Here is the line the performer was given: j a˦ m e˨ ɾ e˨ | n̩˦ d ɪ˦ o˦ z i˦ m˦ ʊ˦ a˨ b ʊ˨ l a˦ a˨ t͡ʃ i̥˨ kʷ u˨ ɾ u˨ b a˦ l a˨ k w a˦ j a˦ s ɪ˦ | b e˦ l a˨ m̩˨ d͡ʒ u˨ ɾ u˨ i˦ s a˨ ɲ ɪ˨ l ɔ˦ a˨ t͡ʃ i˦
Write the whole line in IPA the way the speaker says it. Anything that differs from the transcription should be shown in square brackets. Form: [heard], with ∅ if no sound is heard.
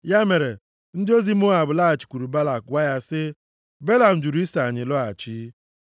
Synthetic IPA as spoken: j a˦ m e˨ ɾ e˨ | n̩˦ d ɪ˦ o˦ z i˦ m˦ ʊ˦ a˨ b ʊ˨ l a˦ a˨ t͡ʃ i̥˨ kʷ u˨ ɾ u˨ b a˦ l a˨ k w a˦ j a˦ s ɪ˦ | b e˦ l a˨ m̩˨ d͡ʒ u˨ ɾ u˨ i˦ s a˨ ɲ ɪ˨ l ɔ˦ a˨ t͡ʃ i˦